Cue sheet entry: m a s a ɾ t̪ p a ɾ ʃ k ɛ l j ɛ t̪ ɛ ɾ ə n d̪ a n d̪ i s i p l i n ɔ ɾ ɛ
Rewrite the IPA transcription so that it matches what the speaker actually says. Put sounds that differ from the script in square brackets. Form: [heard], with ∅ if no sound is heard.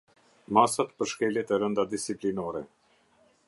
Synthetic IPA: m a s a [∅] t̪ p [ə] ɾ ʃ k ɛ l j ɛ t̪ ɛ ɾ ə n d̪ a [∅] d̪ i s i p l i n ɔ ɾ ɛ